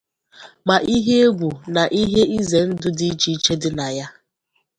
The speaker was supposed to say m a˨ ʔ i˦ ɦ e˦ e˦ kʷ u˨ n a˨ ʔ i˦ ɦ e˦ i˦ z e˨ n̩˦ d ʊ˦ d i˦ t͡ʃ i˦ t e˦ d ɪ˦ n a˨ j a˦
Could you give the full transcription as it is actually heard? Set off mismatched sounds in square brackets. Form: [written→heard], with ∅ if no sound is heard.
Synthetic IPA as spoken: m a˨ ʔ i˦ ɦ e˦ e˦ [kʷ→ɡʷ] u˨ n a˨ ʔ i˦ ɦ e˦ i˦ z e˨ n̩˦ d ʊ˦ d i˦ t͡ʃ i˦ [t→t͡ʃ] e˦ d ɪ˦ n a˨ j a˦